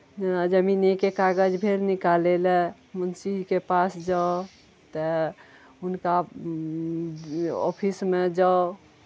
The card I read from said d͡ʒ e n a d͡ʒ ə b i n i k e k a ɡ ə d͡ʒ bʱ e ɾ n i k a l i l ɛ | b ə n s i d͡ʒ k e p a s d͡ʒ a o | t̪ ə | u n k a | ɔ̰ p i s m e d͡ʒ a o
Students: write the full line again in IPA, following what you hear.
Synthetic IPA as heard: d͡ʒ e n a d͡ʒ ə m i n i k e k a ɡ ə d͡ʒ bʱ e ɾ n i k a l e l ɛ | m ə n s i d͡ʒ k e p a s d͡ʒ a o | t̪ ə | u n k a | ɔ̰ pʰ i s m e d͡ʒ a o

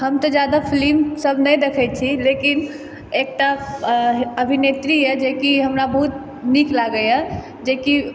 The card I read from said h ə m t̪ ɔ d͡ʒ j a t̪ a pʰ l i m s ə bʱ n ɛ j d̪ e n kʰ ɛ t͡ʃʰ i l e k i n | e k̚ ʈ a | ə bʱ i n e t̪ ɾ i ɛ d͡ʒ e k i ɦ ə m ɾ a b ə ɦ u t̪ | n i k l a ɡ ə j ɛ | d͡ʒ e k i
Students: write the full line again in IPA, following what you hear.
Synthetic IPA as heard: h ə m t̪ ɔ d͡ʒ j a d̪ a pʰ l i m s ə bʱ n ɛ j d̪ e kʰ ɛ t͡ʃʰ i l e k i n | e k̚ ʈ a | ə bʱ i n e t̪ ɾ i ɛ d͡ʒ e k i ɦ ə m ɾ a b ə ɦ u t̪ | n i k l a ɡ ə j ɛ | d͡ʒ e k i

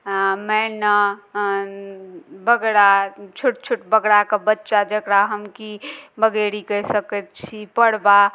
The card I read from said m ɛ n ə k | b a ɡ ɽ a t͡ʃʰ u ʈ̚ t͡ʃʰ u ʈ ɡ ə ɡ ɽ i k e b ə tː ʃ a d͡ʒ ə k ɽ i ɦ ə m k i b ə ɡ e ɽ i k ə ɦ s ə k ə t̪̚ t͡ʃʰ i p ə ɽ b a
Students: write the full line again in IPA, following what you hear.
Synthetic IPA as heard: m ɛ n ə | b ə ɡ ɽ a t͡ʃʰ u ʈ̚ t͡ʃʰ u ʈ b ə ɡ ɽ a k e b ə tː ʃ a d͡ʒ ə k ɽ a ɦ ə m k i b ə ɡ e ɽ i k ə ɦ s ə k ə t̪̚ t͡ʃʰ i p ə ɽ b a

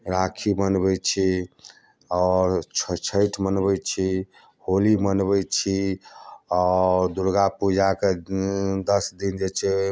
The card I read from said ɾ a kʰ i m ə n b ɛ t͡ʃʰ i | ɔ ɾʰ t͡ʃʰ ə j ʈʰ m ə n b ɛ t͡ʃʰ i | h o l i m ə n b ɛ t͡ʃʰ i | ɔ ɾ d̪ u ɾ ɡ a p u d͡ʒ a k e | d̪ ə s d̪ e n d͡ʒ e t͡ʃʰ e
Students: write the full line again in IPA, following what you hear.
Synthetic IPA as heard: ɾ a kʰ i m ə n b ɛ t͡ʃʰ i | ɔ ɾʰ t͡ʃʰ ə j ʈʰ m ə n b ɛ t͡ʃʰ i | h o l i m ə n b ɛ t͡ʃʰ i | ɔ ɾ d̪ u ɾ ɡ a p u d͡ʒ a k e | d̪ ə s d̪ i n d͡ʒ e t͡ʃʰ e

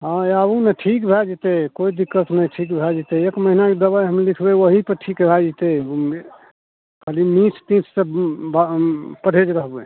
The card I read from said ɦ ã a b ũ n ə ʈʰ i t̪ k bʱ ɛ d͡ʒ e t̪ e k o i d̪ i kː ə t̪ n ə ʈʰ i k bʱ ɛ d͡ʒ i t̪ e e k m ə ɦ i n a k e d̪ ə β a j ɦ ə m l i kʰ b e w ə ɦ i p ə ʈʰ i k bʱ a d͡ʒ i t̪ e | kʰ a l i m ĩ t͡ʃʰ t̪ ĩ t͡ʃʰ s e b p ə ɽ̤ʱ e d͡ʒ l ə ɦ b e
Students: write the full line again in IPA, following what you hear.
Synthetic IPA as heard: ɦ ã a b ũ n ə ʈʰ i k bʱ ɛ d͡ʒ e t̪ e k o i d̪ i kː ə t̪ n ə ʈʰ i k bʱ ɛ d͡ʒ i t̪ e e k m ə ɦ i n a k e d̪ ə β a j ɦ ə m l i kʰ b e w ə ɦ i p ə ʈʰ i k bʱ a d͡ʒ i t̪ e | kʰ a l i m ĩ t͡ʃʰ t̪ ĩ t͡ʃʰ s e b p ə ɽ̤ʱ e d͡ʒ ɾ ə ɦ b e

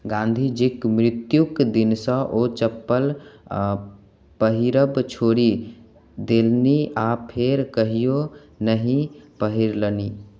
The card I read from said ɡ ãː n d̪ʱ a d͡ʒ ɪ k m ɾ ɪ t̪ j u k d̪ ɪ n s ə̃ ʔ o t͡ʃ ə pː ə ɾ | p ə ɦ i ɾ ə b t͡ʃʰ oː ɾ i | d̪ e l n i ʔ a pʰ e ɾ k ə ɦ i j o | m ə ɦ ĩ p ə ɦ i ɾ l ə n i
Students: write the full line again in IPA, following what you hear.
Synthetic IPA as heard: ɡ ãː n d̪ʱ i d͡ʒ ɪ k m ɾ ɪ t̪ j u k d̪ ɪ n s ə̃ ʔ o t͡ʃ ə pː ə l | p ə ɦ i ɾ ə b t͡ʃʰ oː ɾ i | d̪ e l n i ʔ a pʰ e ɾ k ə ɦ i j o | n ə ɦ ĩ p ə ɦ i ɾ l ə n i

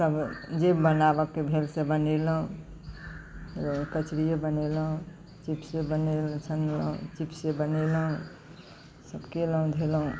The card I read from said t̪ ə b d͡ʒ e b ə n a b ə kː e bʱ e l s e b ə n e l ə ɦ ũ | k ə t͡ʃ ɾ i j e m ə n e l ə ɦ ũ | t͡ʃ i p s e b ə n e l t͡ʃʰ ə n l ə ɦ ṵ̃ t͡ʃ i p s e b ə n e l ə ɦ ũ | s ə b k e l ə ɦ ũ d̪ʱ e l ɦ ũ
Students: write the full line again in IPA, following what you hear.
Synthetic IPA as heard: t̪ ə b d͡ʒ e b ə n a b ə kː e bʱ e l s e b ə n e l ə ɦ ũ | k ə t͡ʃ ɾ i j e b ə n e l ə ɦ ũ | t͡ʃ i p s e b ə n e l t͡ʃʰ ə n l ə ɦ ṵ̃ t͡ʃ i p s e b ə n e l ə ɦ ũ | s ə b k e l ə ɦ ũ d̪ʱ e l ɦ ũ

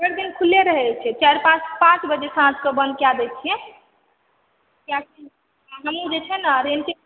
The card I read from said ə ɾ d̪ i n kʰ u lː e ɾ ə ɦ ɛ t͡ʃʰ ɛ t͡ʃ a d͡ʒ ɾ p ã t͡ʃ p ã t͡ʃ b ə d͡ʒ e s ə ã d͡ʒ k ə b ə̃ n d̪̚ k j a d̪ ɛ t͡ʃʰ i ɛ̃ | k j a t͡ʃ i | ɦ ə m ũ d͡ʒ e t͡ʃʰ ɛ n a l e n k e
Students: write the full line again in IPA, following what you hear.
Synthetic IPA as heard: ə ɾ d̪ i n kʰ u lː e ɾ ə ɦ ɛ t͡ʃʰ ɛ t͡ʃ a ɾ p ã t͡ʃ p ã t͡ʃ b ə d͡ʒ e s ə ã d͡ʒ k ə b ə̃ n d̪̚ k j a d̪ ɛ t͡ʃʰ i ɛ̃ | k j a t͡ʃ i | ɦ ə m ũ d͡ʒ e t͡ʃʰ ɛ n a ɾ e n k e

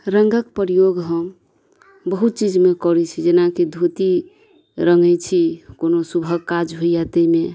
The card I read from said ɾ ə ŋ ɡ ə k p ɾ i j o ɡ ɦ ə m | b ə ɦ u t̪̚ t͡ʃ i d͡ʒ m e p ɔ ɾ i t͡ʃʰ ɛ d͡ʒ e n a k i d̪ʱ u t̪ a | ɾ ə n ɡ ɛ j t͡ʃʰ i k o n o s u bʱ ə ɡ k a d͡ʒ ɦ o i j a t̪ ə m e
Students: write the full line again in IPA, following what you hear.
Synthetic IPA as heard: ɾ ə ŋ ɡ ə k p ɾ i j o ɡ ɦ ə m | b ə ɦ u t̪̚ t͡ʃ i d͡ʒ m e k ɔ ɾ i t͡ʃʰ i d͡ʒ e n a k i d̪ʱ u t̪ i | ɾ ə ŋ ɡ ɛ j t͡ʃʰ i k o n o s u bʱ ə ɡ k a d͡ʒ ɦ o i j a t̪ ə m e

